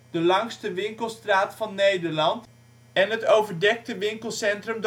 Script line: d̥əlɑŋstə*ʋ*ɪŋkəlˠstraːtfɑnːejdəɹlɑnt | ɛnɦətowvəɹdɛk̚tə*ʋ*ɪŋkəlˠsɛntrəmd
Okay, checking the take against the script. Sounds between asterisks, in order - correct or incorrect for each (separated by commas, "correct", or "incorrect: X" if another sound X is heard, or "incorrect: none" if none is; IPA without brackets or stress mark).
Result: correct, correct